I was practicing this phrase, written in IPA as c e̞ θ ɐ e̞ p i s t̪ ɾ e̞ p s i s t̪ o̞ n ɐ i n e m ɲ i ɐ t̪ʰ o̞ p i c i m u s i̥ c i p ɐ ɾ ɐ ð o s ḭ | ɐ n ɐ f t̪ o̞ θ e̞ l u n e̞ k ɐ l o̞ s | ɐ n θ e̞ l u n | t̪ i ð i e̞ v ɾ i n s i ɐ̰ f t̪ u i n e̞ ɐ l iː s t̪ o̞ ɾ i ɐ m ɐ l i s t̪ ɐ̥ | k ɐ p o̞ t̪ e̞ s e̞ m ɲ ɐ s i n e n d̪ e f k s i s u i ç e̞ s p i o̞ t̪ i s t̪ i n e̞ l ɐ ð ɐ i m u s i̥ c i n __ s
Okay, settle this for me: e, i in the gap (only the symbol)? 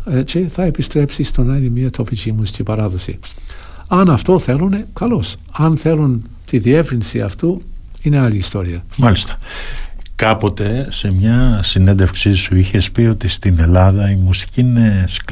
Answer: e